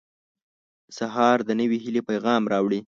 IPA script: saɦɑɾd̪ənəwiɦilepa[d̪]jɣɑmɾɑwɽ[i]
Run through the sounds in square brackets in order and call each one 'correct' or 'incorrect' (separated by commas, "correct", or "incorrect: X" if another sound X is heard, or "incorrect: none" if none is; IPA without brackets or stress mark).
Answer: incorrect: none, correct